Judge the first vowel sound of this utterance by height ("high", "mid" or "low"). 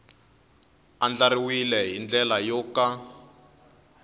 low